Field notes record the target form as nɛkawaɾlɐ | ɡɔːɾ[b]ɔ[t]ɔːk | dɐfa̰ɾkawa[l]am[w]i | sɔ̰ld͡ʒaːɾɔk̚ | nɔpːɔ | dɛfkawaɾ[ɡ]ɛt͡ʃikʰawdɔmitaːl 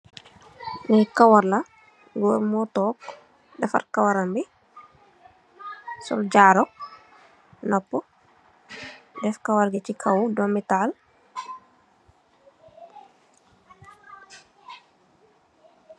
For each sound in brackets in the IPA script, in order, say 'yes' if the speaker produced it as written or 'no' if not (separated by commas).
no, yes, no, no, yes